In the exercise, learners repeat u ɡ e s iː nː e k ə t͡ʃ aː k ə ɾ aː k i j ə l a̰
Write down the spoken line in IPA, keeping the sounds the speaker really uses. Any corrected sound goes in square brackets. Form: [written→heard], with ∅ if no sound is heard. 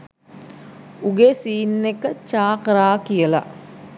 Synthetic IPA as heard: u ɡ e s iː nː e k ə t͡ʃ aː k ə ɾ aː k i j ə l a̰